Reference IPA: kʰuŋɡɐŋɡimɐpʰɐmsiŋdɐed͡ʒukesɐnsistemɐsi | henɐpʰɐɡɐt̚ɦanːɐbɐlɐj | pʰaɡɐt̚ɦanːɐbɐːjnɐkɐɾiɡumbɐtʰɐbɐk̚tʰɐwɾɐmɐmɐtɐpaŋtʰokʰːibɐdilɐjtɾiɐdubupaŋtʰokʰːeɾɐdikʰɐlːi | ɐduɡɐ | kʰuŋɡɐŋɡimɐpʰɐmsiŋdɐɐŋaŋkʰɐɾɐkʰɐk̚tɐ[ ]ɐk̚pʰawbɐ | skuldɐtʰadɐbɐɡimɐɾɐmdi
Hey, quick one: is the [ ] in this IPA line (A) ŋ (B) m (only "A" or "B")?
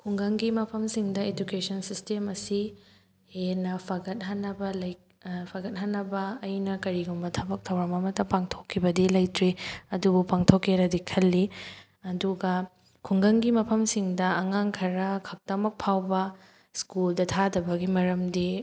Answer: B